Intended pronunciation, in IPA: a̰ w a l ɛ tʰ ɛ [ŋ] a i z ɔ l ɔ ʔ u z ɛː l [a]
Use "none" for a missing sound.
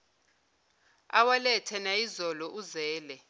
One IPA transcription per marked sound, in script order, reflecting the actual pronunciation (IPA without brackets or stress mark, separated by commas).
n, ɛ